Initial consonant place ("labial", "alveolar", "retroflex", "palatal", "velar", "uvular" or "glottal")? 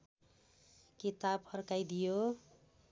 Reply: velar